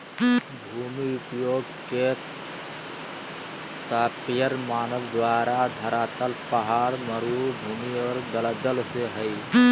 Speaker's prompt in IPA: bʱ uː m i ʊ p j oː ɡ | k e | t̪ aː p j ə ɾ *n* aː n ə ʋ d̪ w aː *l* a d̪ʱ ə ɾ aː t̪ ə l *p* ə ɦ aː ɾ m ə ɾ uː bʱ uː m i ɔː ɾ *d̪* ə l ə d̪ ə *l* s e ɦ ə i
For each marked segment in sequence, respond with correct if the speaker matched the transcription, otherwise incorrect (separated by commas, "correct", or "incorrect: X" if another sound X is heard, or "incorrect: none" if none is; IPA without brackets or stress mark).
incorrect: m, incorrect: ɾ, correct, correct, correct